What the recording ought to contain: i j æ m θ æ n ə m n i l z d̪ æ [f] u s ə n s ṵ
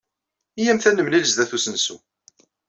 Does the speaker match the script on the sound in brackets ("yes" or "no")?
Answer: no